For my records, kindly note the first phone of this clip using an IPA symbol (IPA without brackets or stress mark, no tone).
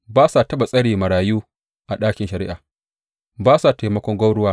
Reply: b